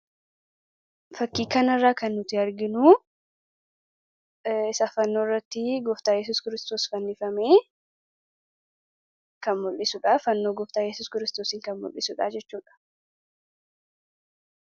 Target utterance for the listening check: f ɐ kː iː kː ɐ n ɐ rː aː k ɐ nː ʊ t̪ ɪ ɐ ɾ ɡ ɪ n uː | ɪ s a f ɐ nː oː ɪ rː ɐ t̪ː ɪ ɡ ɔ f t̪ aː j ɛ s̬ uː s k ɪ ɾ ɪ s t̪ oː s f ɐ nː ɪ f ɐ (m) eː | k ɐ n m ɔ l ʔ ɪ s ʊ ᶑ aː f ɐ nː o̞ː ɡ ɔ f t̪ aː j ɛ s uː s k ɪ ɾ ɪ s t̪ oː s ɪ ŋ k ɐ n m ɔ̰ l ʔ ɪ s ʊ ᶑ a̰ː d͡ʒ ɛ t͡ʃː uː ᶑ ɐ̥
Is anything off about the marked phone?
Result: no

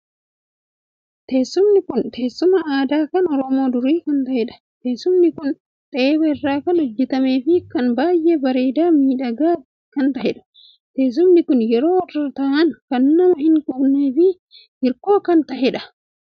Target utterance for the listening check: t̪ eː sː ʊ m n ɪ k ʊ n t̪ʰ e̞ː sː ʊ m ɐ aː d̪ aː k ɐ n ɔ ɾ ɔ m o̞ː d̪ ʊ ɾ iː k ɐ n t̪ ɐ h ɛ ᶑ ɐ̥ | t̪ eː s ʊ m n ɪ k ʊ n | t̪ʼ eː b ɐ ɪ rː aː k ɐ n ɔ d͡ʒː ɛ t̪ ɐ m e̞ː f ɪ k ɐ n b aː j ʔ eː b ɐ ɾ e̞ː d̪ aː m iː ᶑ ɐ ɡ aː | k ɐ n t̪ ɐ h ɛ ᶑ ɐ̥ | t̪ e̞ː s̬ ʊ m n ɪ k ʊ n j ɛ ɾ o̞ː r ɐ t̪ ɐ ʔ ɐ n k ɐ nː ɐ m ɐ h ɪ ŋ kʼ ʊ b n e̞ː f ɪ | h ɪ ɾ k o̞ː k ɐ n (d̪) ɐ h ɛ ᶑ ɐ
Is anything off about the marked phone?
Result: yes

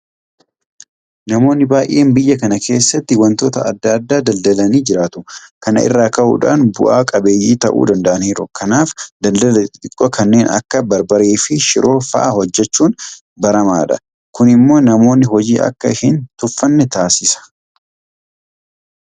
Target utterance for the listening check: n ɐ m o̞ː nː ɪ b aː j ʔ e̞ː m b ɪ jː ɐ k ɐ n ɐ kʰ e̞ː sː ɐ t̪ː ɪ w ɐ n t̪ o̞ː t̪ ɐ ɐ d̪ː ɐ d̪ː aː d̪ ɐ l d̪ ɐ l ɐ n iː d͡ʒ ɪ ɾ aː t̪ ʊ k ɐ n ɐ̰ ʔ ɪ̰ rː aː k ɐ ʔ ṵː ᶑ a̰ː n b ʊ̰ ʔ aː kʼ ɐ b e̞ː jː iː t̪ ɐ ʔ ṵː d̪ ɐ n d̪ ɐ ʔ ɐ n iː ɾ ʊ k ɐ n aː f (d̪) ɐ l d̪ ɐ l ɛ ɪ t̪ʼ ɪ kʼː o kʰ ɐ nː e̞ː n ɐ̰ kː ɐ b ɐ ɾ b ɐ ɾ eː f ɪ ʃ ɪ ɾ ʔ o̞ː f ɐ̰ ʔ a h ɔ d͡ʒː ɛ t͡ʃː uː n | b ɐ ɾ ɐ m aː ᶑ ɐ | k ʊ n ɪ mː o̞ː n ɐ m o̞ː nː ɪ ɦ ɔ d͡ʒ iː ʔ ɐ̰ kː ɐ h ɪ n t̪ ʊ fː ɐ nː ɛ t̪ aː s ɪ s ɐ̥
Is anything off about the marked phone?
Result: no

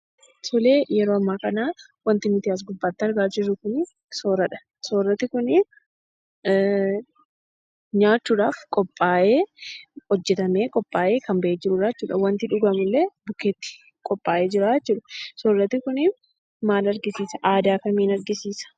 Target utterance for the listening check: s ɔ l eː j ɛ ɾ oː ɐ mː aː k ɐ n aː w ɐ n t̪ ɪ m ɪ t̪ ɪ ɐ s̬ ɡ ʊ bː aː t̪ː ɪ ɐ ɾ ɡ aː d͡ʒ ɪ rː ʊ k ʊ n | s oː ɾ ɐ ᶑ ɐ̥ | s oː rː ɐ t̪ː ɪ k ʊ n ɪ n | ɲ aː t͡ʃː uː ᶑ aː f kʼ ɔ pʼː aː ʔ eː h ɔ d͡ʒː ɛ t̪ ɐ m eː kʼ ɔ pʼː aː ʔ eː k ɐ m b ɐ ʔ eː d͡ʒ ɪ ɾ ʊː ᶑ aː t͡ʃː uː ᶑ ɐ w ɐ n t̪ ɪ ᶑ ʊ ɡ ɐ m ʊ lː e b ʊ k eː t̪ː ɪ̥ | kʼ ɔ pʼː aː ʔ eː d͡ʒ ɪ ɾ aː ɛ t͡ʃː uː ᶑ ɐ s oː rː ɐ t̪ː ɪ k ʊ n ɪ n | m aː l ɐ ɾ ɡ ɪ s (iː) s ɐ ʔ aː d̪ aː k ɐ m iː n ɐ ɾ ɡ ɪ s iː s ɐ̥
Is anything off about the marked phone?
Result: no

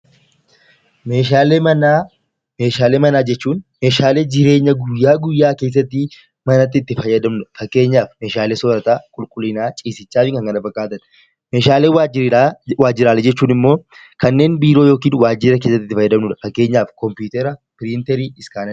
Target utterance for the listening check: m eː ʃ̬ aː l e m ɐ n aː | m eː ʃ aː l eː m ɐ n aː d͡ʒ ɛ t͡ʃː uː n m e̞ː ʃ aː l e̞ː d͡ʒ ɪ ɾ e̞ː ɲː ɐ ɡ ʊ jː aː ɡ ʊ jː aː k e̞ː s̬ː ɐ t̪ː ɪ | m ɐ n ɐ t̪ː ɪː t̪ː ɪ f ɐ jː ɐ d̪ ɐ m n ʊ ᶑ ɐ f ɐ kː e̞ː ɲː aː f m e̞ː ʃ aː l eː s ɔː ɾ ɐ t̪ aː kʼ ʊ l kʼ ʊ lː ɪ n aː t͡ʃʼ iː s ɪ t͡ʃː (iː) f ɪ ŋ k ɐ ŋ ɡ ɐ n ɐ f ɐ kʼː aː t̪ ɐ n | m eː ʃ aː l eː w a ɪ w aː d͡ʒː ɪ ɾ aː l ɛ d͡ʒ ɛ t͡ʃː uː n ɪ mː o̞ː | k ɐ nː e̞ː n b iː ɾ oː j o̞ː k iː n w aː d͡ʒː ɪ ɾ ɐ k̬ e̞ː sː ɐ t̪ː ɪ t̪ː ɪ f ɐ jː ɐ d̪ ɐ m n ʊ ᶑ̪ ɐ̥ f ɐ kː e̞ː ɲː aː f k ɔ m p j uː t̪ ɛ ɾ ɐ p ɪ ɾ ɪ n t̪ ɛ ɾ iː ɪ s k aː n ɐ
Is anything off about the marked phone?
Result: yes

